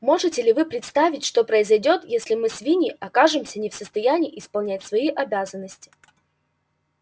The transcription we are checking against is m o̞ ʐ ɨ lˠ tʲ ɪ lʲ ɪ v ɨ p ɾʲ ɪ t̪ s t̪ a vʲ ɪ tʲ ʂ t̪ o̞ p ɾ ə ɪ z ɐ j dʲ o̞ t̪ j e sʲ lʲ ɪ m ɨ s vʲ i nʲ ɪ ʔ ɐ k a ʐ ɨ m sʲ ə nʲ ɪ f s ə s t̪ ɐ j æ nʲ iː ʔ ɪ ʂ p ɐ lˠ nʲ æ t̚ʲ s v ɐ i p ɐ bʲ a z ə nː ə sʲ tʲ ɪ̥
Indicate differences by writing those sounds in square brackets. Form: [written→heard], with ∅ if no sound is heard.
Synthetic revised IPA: m o̞ ʐ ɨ [lˠ→∅] tʲ ɪ lʲ ɪ v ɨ p ɾʲ ɪ t̪ s t̪ a vʲ ɪ tʲ ʂ t̪ o̞ p ɾ ə ɪ z ɐ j dʲ o̞ t̪ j e sʲ lʲ ɪ m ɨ s vʲ i nʲ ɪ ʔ ɐ k a ʐ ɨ m sʲ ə nʲ ɪ f s ə s t̪ ɐ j æ nʲ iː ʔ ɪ [ʂ→s] p ɐ lˠ nʲ æ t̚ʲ s v ɐ i [p→ʔ] ɐ bʲ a z ə nː ə sʲ tʲ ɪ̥